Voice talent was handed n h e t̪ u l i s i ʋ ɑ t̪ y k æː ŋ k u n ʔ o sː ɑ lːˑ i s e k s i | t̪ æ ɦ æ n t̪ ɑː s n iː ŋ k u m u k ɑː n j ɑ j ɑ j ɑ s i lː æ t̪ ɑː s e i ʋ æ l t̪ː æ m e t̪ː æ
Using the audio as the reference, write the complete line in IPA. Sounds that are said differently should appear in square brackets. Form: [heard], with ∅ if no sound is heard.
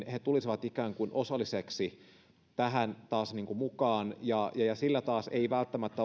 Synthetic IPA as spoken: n h e t̪ u l i s i ʋ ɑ t̪ [i] k æː ŋ k u n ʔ o [s] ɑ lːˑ i s e k s i | t̪ æ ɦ æ n t̪ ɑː s n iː ŋ k u m u k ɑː n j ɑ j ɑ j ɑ s i lː æ t̪ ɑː s e i ʋ æ l t̪ː æ m [æ] t̪ː æ

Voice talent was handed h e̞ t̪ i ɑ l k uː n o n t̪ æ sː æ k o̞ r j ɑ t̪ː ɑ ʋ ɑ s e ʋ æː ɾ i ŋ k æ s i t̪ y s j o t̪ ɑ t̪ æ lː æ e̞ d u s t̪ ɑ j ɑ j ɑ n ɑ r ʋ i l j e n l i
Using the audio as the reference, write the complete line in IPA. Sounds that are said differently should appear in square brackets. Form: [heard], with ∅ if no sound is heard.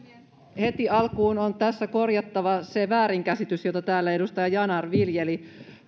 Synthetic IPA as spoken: h e̞ t̪ i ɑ l k uː n o n t̪ æ sː æ k o̞ r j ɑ t̪ː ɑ ʋ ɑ s e ʋ æː ɾ i ŋ k æ s i t̪ y s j o t̪ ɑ t̪ [æː] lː æ e̞ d u s t̪ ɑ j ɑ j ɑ n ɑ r ʋ i l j e [∅] l i

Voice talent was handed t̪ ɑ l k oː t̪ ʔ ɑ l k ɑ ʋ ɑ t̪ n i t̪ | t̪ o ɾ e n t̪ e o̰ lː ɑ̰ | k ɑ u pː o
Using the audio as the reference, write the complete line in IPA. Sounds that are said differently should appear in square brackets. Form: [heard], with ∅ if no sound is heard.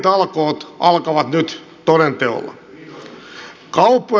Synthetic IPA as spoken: t̪ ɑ l k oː t̪ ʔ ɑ l k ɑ ʋ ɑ t̪ n [y] t̪ | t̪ o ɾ e n t̪ e o̰ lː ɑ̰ | k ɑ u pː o

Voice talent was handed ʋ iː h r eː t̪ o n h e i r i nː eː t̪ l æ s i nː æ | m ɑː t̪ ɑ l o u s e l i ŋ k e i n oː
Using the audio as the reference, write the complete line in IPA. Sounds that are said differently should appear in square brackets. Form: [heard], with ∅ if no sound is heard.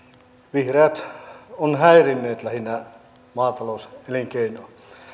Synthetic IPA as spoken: ʋ [i] h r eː t̪ o n h [æ] i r i nː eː t̪ l æ [h] i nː æ | m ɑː t̪ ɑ l o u s e l i ŋ k e i n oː

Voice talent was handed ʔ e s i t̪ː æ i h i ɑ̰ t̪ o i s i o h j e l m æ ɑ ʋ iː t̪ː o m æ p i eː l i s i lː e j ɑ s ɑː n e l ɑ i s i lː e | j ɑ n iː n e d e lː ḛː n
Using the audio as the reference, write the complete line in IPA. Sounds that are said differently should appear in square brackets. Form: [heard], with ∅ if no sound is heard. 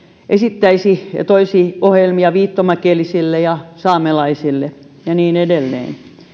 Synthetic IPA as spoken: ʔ e s i t̪ː æ i [s] i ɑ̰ t̪ o i s i o h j e l m [i] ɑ ʋ iː t̪ː o m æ [k] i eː l i s i lː e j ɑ s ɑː [m] e l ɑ i s i lː e | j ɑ n iː n e d e lː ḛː n

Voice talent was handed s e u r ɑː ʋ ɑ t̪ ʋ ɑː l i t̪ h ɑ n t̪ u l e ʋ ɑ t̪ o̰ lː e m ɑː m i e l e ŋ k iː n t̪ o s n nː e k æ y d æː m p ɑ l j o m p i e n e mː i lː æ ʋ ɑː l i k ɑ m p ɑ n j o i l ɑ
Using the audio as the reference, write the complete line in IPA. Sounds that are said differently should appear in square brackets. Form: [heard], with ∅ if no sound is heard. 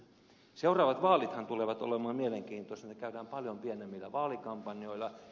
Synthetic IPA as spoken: s e u r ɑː ʋ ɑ t̪ ʋ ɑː l i t̪ h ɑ n t̪ u l e ʋ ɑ t̪ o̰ [l] e m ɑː m i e l e ŋ k iː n t̪ o s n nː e k æ y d æː m p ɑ l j o m p i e n e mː i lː æ ʋ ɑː l i k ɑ m p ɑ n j o i l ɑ

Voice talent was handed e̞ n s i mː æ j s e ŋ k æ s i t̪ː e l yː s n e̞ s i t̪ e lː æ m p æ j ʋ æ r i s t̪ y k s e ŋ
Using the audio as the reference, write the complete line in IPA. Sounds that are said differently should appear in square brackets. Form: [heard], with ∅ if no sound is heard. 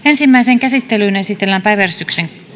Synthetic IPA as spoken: e̞ n s i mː æ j s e ŋ k æ s i t̪ː e l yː [∅] n e̞ s i t̪ e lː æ m p æ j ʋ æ r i s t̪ y k s e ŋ

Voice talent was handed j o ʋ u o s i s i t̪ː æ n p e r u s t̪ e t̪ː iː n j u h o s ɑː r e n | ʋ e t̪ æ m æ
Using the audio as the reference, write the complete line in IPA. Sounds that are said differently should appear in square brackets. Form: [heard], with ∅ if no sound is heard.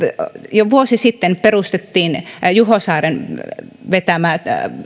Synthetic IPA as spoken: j o ʋ u o s i s i t̪ː [e] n p e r u s t̪ e t̪ː iː n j u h o s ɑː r e n | ʋ e t̪ æ m æ

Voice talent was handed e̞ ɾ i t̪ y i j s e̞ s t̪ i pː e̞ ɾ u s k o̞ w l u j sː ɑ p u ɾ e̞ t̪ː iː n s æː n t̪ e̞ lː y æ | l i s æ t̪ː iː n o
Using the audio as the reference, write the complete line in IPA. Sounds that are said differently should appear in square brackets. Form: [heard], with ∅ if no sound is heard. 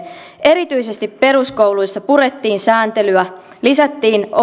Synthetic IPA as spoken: e̞ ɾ i t̪ y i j s e̞ s t̪ i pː e̞ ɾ u s k o̞ w l u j sː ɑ p u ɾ e̞ t̪ː iː n s æː n t̪ e̞ [l] y æ | l i s æ t̪ː iː n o

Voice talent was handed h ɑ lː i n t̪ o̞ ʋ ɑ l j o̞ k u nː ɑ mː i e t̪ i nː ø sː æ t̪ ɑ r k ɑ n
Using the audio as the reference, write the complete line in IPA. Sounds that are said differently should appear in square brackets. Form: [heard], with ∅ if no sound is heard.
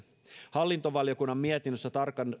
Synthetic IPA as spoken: h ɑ lː i n t̪ o̞ ʋ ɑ l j o̞ k u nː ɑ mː i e t̪ i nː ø sː æ t̪ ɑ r k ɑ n

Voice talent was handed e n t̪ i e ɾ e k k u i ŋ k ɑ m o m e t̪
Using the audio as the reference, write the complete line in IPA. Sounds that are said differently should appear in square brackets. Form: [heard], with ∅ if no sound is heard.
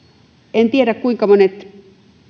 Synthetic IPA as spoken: e n t̪ i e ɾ [æ] k k u i ŋ k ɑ m o [n] e t̪

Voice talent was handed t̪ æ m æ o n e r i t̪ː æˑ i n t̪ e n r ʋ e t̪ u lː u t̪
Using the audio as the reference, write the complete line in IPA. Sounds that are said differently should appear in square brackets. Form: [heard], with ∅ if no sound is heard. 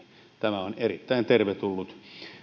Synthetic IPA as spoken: t̪ æ m æ o n e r i t̪ː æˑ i n t̪ e [∅] r ʋ e t̪ u lː u t̪

